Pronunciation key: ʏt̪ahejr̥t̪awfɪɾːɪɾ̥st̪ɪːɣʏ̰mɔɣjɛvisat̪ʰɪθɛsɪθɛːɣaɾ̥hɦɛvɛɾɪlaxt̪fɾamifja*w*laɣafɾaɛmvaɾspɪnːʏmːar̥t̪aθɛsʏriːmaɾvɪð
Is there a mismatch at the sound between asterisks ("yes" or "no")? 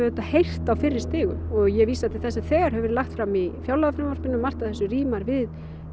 no